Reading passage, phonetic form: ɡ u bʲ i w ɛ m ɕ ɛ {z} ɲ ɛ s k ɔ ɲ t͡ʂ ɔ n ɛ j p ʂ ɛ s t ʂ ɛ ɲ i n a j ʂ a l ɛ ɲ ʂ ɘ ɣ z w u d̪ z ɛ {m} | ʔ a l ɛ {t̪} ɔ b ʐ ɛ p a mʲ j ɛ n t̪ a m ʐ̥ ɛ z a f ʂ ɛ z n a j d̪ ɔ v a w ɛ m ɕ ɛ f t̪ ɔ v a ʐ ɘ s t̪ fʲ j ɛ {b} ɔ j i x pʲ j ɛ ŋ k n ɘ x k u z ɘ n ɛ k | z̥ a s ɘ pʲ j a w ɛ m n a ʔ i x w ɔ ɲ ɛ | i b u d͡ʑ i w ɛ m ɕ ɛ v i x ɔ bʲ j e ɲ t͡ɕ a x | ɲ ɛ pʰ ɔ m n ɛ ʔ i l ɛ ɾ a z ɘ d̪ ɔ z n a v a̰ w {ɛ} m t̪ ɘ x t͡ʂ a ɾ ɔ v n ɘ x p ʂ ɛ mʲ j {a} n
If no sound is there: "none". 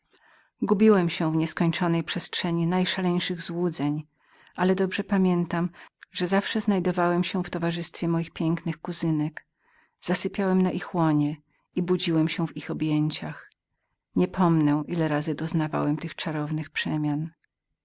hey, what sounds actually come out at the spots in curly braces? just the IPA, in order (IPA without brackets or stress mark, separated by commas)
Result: v, ɲ, d̪, m, ɛ, a